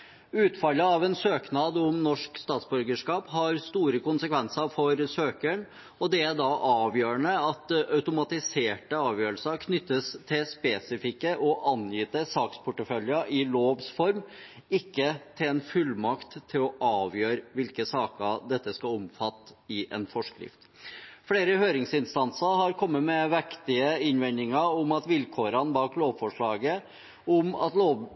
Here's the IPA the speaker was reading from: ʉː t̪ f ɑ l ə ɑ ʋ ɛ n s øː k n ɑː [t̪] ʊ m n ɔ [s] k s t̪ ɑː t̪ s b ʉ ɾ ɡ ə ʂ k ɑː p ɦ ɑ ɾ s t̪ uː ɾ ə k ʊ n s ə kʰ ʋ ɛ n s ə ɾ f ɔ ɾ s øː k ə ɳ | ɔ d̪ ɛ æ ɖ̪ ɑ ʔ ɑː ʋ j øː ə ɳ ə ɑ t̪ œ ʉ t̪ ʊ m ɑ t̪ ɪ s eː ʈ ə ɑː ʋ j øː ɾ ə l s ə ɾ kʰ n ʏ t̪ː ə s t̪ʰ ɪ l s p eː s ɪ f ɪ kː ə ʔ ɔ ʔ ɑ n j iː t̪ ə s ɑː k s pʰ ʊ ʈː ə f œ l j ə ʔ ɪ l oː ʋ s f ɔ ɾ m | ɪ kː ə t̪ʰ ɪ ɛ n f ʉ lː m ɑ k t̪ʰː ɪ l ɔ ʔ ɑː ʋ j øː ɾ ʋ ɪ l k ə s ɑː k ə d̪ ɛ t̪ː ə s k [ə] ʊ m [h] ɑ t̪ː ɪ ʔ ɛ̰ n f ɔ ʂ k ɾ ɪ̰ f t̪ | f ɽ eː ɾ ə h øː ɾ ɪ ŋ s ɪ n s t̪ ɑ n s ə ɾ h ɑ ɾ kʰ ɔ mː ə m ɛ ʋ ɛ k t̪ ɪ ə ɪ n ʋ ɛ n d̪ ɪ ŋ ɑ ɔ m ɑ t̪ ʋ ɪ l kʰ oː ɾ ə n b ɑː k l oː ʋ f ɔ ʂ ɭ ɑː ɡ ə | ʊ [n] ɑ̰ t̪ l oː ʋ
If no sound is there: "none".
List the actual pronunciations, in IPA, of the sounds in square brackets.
d̪, ʂ, ɑ, f, m

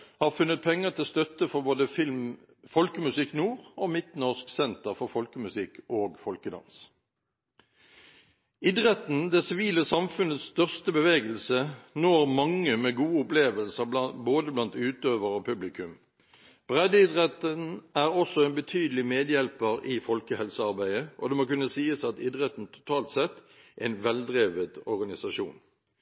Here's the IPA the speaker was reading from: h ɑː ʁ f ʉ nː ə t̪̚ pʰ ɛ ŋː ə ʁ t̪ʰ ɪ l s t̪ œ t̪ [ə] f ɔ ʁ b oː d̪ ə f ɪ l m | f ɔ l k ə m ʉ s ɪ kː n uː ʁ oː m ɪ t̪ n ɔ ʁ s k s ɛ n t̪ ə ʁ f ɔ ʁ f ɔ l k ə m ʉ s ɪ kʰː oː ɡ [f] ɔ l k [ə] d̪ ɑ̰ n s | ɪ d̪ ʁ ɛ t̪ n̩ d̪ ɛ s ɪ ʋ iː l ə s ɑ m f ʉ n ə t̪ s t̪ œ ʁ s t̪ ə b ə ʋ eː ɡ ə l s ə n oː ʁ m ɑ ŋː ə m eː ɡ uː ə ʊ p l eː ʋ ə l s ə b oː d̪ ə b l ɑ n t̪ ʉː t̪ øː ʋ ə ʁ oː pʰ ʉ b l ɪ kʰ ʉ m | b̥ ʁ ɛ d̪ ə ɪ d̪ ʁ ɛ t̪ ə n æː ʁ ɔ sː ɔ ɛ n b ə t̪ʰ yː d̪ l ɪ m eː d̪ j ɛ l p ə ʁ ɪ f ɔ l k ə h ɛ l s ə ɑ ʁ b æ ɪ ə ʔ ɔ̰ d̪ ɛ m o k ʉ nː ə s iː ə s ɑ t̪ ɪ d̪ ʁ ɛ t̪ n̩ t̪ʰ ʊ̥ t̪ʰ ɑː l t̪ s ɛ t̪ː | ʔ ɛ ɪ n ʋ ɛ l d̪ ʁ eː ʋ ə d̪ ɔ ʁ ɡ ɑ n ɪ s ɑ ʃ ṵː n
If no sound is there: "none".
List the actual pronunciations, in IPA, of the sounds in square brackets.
ə, f, ə

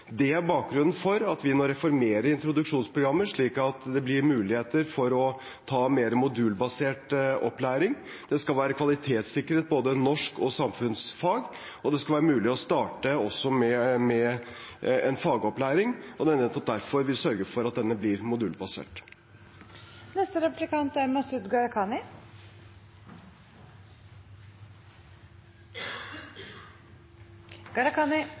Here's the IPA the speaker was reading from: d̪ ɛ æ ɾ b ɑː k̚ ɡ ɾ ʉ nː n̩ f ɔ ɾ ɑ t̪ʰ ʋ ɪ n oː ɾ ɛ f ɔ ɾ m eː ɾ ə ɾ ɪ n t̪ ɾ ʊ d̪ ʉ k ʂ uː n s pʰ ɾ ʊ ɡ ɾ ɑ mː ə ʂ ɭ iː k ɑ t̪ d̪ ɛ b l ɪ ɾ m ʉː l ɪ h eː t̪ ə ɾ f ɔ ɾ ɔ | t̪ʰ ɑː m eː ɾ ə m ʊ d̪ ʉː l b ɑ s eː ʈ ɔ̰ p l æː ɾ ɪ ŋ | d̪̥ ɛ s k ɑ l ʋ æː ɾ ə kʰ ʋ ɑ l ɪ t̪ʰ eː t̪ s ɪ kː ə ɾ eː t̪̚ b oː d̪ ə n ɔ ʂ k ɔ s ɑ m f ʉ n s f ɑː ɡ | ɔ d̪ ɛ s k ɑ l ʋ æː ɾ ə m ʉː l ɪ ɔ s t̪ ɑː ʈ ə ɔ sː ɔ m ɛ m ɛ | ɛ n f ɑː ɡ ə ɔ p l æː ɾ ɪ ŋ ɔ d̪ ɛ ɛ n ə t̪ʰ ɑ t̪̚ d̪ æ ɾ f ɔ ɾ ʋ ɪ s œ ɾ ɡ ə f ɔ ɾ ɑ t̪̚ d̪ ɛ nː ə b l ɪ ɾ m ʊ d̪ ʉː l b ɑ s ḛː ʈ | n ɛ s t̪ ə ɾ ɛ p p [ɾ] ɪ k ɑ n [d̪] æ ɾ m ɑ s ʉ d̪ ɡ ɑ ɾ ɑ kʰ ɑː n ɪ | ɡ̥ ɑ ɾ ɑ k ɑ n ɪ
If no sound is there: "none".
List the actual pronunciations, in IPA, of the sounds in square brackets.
l, t̪

